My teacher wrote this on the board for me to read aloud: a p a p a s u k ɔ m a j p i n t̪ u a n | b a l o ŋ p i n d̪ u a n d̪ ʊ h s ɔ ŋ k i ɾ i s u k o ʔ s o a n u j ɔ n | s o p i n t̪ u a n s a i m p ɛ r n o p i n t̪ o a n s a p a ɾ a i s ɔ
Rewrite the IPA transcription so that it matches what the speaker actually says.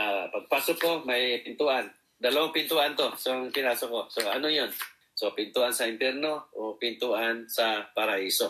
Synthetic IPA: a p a p a s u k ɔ m a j p i n t̪ u a n | d a l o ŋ p i n t̪ u a n t̪ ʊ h s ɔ ŋ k i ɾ a s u k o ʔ s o a n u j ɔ n | s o p i n t̪ u a n s a i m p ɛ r n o p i n t̪ u a n s a p a ɾ a i s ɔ